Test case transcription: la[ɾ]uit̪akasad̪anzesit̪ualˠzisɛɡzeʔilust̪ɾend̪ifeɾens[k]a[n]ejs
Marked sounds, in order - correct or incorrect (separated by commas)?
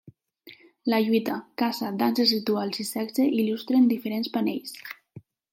incorrect, incorrect, correct